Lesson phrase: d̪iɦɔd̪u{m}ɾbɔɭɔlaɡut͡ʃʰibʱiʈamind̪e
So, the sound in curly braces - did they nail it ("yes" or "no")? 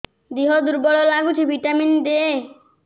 no